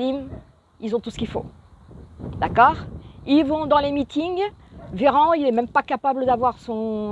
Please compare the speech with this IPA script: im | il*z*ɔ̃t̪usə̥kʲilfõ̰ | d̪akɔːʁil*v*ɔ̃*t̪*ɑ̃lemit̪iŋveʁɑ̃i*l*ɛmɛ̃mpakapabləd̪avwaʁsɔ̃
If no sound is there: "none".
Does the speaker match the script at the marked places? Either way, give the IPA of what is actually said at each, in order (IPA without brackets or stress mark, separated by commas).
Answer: z, v, d̪, l